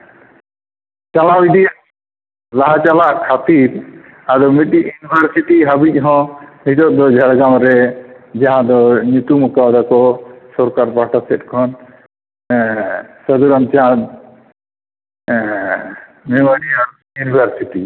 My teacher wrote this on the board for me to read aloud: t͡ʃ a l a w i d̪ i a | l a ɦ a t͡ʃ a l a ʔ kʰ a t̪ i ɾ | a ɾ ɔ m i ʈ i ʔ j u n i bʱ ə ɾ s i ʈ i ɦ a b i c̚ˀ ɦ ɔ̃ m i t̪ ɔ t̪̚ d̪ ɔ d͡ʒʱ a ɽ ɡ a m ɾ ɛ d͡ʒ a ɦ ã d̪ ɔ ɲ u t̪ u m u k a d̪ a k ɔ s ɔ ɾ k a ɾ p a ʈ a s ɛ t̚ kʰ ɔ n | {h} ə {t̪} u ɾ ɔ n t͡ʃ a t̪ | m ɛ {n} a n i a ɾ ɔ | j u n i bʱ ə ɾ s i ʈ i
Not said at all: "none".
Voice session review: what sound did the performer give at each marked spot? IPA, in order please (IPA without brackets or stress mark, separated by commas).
s, d̪, m